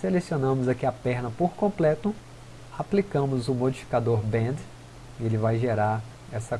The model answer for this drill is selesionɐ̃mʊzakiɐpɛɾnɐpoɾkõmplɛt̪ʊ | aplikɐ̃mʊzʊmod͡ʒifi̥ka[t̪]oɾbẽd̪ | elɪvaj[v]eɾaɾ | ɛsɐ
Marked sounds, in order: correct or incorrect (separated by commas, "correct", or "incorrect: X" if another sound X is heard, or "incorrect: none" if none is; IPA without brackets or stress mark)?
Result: incorrect: d̪, incorrect: ʒ